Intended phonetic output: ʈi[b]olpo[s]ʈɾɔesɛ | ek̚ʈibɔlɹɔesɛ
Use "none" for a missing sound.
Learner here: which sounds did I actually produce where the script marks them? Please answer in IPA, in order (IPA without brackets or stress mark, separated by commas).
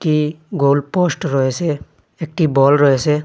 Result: ɡ, s